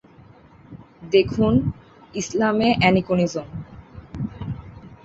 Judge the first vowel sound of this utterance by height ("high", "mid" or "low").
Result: mid